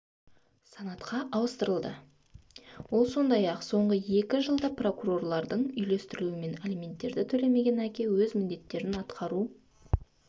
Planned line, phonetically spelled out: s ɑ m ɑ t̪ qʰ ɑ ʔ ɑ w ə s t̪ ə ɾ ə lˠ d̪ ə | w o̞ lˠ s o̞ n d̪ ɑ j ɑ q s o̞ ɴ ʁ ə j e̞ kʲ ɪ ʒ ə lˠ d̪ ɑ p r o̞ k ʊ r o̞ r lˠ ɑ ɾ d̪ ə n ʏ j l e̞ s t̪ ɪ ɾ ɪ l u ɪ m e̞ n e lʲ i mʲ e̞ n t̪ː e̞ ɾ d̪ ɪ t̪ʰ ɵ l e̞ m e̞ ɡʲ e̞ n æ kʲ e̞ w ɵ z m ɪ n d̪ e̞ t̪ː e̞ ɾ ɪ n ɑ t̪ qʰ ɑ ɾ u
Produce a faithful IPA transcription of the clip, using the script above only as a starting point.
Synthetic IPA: s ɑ n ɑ t̪ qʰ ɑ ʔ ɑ w ə s t̪ ə ɾ ə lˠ d̪ ə | w o̞ lˠ s o̞ n d̪ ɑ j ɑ q s o̞ ɴ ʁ ə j e̞ kʲ ɪ ʒ ə lˠ d̪ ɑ p r o̞ k u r o̞ r lˠ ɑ ɾ d̪ ə ɴ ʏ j l e̞ s t̪ ɪ ɾ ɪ l u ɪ m e̞ n e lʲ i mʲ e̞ n t̪ː e̞ ɾ d̪ ɪ t̪ʰ ɵ l e̞ m e̞ ɡʲ e̞ n æ kʲ e̞ w ɵ z m ɪ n d̪ e̞ t̪ː e̞ ɾ ɪ n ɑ t̪ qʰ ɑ ɾ u